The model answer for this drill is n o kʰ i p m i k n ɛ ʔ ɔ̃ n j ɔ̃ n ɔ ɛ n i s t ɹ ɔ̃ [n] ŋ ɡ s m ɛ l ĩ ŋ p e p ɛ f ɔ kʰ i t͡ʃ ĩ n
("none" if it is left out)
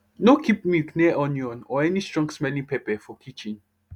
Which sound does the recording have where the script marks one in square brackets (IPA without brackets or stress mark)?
none